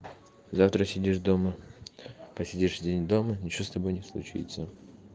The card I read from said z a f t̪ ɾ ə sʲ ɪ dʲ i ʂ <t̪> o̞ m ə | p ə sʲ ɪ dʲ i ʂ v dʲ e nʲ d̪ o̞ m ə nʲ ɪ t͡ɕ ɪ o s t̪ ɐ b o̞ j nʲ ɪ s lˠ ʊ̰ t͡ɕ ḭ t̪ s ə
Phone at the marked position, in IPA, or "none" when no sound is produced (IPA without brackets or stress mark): d̪